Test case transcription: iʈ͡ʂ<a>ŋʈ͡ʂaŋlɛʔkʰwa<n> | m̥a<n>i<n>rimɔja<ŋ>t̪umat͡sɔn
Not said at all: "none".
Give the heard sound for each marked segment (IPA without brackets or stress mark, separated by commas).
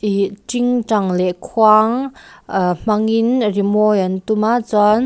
i, ŋ, ŋ, n, n